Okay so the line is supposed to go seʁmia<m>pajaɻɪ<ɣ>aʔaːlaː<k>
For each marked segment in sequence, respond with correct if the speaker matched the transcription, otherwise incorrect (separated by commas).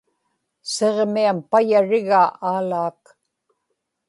correct, correct, correct